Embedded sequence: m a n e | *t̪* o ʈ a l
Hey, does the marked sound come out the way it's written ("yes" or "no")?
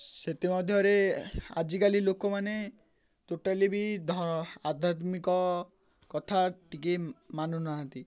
yes